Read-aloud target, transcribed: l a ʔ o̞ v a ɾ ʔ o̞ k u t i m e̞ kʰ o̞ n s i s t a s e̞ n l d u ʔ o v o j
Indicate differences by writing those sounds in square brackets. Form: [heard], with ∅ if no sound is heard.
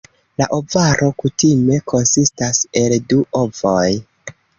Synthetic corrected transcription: l a ʔ o̞ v a ɾ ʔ o̞ k u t i m e̞ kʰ o̞ n s i s t a s e̞ [∅] l d u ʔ o v o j